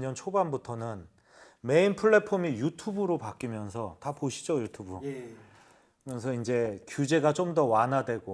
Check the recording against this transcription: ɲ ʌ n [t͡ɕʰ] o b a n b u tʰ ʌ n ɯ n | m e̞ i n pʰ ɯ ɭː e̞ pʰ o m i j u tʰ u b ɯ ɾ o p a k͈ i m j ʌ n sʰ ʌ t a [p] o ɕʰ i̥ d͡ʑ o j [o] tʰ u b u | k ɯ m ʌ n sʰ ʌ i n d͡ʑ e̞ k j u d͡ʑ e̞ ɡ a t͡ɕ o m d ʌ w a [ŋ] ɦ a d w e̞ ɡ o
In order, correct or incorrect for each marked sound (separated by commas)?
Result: correct, correct, incorrect, incorrect